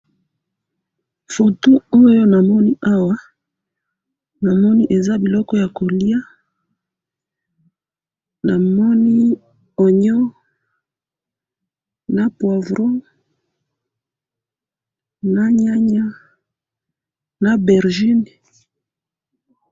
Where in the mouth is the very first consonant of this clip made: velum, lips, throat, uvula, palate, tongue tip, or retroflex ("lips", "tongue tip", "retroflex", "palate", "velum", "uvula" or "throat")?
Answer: lips